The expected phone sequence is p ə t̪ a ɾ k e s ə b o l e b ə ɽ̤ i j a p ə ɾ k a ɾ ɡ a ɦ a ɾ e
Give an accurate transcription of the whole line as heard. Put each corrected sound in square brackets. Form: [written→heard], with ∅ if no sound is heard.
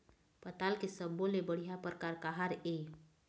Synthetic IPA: p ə t̪ a [ɾ→l] k e s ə b o l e b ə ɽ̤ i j a p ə ɾ k a ɾ [ɡ→k] a ɦ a ɾ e